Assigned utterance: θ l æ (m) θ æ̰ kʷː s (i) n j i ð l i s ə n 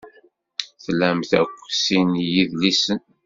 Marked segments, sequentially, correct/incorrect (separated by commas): correct, correct